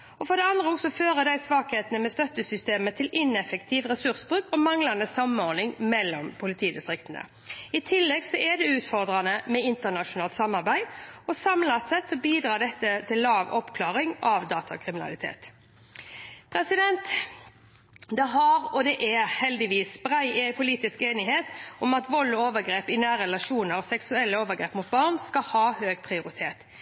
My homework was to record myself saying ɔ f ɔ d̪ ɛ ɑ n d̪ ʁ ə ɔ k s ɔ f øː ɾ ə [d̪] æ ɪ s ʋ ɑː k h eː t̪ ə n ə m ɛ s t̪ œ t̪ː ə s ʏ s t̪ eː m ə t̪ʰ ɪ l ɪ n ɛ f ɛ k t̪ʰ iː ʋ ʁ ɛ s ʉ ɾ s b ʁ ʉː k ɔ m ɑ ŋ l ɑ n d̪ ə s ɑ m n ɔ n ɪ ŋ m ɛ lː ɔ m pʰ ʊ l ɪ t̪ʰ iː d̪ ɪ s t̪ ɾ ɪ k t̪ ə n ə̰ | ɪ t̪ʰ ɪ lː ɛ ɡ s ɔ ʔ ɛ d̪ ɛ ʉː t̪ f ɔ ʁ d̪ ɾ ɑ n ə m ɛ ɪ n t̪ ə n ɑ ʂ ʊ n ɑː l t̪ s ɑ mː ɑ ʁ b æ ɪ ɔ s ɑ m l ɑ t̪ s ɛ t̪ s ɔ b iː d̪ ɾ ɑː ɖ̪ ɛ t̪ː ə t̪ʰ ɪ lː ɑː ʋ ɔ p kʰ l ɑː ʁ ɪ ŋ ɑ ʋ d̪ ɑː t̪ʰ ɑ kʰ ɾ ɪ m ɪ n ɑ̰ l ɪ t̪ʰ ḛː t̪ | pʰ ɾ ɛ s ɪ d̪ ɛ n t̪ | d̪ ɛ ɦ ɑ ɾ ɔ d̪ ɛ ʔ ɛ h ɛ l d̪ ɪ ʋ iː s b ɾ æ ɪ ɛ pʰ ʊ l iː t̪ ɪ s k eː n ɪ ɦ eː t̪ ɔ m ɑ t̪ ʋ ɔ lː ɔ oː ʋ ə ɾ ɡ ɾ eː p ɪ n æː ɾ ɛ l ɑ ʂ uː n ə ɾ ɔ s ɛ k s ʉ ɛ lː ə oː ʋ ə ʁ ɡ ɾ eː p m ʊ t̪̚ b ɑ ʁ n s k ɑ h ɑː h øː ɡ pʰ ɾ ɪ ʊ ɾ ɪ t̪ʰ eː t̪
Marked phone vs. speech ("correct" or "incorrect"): correct